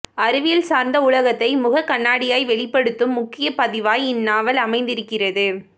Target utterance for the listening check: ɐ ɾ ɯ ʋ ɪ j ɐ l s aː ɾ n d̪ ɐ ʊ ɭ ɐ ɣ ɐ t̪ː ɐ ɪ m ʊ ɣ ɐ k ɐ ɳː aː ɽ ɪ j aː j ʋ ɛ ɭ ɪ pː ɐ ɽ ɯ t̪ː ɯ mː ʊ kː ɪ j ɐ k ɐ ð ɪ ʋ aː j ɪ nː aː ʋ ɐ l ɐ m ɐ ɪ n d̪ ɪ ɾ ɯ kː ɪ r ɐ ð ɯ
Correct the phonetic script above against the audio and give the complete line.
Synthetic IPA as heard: ɐ ɾ ɯ ʋ ɪ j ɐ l s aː ɾ n d̪ ɐ ʊ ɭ ɐ ɣ ɐ t̪ː ɐ ɪ m ʊ ɣ ɐ k ɐ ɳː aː ɽ ɪ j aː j ʋ ɛ ɭ ɪ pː ɐ ɽ ɯ t̪ː ɯ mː ʊ kː ɪ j ɐ p ɐ ð ɪ ʋ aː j ɪ nː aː ʋ ɐ l ɐ m ɐ ɪ n d̪ ɪ ɾ ɯ kː ɪ r ɐ ð ɯ

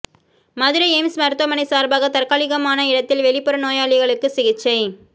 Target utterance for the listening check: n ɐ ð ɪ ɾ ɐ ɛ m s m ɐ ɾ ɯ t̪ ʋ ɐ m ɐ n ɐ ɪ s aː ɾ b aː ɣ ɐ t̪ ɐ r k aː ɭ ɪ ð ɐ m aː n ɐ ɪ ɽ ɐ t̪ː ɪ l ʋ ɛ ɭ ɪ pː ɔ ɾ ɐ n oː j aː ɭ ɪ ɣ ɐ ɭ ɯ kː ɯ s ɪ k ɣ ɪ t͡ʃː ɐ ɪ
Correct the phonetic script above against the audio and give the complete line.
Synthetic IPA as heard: m ɐ ð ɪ ɾ ɐ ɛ m s m ɐ ɾ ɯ t̪ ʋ ɐ m ɐ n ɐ ɪ s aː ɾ b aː ɣ ɐ t̪ ɐ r k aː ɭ ɪ ɣ ɐ m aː n ɐ ɪ ɽ ɐ t̪ː ɪ l ʋ ɛ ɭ ɪ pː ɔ ɾ ɐ n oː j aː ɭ ɪ ɣ ɐ ɭ ɯ kː ɯ s ɪ ɣ ɪ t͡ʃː ɐ ɪ

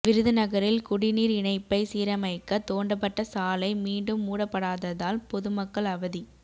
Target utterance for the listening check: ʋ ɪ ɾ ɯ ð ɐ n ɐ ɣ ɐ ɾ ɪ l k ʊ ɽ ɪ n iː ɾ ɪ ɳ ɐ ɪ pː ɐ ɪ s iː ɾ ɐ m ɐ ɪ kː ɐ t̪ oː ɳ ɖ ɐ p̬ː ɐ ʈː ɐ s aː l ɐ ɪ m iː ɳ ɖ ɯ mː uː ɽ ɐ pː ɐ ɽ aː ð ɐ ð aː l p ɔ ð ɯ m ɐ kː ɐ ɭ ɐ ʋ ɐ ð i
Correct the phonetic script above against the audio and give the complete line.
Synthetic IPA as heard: ʋ ɪ ɾ ɯ ð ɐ n ɐ ɣ ɐ ɾ ɪ l k ʊ ɽ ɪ n iː ɾ ɪ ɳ ɐ ɪ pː ɐ ɪ s iː ɾ ɐ m ɐ ɪ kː ɐ t̪ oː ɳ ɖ ɐ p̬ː ɐ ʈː ɐ s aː l ɐ ɪ m iː ɳ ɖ ɯ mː uː ɽ ɐ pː ɐ ɽ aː ð ɐ ð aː l p ɔ ð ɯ m ɐ kː ɐ ɭ ɐ ʋ ɐ ð i

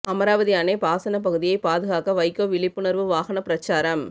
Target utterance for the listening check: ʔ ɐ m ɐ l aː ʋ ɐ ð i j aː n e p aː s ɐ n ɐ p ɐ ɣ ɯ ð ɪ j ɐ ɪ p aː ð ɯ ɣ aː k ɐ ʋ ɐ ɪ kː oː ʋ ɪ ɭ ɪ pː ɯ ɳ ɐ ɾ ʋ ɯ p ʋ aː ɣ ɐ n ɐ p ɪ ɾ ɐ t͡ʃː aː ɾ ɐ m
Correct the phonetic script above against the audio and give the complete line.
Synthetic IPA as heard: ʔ ɐ m ɐ ɾ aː ʋ ɐ ð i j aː n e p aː s ɐ n ɐ p ɐ ɣ ɯ ð ɪ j ɐ ɪ p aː ð ɯ ɣ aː k ɐ ʋ ɐ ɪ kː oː ʋ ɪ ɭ ɪ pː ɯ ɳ ɐ ɾ ʋ ɯ ʋ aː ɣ ɐ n ɐ p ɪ ɾ ɐ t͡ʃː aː ɾ ɐ m

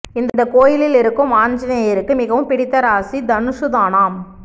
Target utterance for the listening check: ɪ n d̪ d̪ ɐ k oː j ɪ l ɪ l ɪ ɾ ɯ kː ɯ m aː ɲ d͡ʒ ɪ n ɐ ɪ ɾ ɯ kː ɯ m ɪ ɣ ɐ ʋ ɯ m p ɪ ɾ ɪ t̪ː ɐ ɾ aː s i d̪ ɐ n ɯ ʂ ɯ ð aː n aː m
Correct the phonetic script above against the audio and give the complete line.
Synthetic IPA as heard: ɪ n d̪ d̪ ɐ k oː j ɪ l ɪ l ɪ ɾ ɯ kː ɯ m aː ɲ d͡ʒ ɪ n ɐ ɪ ɾ ɯ kː ɯ m ɪ ɣ ɐ ʋ ɯ m p ɪ ɽ ɪ t̪ː ɐ ɾ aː s i d̪ ɐ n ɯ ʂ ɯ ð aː n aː m

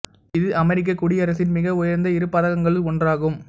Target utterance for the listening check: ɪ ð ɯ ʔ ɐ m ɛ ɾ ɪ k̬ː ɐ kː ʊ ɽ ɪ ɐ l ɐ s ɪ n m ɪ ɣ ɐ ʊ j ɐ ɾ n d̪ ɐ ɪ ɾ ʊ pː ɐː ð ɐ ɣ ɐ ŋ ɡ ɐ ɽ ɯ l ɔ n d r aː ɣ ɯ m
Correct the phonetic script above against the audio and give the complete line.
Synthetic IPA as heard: ɪ ð ɯ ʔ ɐ m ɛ ɾ ɪ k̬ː ɐ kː ʊ ɽ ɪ ɐ ɾ ɐ s ɪ n m ɪ ɣ ɐ ʊ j ɐ ɾ n d̪ ɐ ɪ ɾ ɯ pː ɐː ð ɐ ɣ ɐ ŋ ɡ ɐ ɭ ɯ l ɔ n d r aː ɣ ɯ m

